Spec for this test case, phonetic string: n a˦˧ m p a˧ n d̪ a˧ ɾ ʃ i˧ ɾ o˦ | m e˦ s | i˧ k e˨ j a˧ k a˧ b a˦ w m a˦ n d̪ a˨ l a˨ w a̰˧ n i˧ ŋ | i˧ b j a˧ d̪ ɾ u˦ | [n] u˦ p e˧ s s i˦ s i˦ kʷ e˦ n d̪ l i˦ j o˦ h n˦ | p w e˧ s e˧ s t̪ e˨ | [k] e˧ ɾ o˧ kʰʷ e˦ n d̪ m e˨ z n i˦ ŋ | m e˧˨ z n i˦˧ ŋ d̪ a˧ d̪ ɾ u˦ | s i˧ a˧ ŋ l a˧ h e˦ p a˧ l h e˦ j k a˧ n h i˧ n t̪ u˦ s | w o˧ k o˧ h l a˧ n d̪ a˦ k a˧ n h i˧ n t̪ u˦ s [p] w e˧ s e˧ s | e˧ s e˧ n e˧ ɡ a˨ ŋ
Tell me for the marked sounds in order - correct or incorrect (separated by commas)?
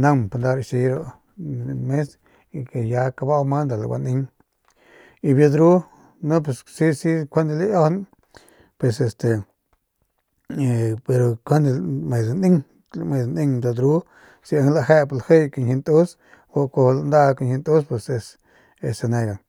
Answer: correct, incorrect, correct